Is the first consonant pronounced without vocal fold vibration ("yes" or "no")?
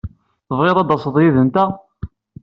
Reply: yes